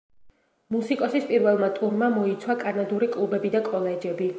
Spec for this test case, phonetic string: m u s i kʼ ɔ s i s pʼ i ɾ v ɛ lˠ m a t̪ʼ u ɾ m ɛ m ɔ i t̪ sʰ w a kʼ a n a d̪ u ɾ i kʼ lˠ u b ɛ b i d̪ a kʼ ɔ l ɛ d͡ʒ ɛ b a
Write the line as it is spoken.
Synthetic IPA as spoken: m u s i kʼ ɔ s i s pʼ i ɾ v ɛ lˠ m a t̪ʼ u ɾ m a m ɔ i t̪ sʰ w a kʼ a n a d̪ u ɾ i kʼ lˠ u b ɛ b i d̪ a kʼ ɔ l ɛ d͡ʒ ɛ b i